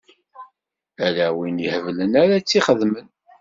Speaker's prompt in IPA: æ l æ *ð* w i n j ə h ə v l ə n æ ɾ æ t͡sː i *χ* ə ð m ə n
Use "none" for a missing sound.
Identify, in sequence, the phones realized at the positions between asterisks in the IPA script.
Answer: none, χ

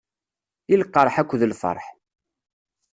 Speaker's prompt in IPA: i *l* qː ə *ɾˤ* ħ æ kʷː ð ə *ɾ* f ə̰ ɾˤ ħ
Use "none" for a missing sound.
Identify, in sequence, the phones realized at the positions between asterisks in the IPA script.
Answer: l, ɾˤ, l

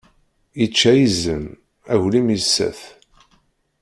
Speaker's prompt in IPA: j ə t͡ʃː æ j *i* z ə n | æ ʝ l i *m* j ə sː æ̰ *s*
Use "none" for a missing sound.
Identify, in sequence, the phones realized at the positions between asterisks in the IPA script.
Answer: i, m, θ

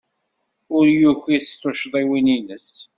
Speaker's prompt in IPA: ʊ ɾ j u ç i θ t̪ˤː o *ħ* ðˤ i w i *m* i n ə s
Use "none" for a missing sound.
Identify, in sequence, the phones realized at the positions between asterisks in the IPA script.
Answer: ʃ, n

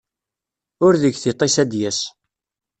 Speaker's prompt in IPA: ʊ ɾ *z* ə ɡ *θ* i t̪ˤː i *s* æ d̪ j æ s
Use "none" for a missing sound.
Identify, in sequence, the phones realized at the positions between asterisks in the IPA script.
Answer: ð, θ, s

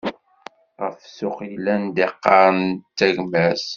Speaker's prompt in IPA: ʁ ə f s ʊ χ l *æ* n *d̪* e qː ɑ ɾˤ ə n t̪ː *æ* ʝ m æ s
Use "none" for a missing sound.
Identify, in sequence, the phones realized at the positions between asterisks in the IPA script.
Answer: æ, d̪, æ

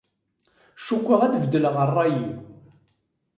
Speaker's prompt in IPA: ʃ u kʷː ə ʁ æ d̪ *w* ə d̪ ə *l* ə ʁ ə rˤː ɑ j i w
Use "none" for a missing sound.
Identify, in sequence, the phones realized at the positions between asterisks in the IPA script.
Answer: v, l

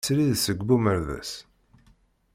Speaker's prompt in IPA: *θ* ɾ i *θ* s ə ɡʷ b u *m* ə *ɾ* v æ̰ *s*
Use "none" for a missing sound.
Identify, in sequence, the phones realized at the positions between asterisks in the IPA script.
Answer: s, ð, m, ɾ, s

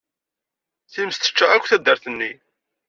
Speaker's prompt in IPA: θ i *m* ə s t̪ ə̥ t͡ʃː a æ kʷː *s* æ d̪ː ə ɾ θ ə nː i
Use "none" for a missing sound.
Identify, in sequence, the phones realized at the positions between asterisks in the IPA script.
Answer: m, θ

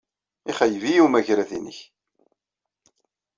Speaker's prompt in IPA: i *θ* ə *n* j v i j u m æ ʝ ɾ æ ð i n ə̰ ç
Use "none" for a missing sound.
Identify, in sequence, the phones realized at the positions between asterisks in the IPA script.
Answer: χ, none

